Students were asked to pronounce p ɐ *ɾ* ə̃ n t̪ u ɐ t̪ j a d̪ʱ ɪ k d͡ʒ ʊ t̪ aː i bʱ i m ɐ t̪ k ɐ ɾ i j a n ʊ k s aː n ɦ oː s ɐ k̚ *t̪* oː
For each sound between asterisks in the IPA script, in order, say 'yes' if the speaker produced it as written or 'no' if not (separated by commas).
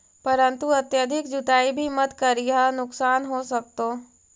yes, yes